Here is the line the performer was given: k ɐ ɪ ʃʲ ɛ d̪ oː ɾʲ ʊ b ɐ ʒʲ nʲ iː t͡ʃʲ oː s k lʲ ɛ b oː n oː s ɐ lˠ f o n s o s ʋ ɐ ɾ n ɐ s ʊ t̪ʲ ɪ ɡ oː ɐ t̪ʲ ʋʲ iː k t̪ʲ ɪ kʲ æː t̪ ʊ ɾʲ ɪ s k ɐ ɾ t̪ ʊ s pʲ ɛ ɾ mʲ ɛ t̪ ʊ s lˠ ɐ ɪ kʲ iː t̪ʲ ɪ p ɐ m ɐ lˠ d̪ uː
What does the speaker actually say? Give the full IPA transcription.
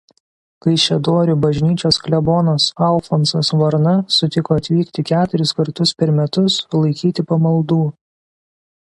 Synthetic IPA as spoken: k ɐ ɪ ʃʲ ɛ d̪ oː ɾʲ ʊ b ɐ ʒʲ nʲ iː t͡ʃʲ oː s k lʲ ɛ b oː n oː s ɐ lˠ f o n s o s ʋ ɐ ɾ n ɐ s ʊ t̪ʲ ɪ k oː ɐ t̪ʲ ʋʲ iː k t̪ʲ ɪ kʲ æː t̪ ʊ ɾʲ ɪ s k ɐ ɾ t̪ ʊ s pʲ ɛ ɾ mʲ ɛ t̪ ʊ s lˠ ɐ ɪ kʲ iː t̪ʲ ɪ p ɐ m ɐ lˠ d̪ uː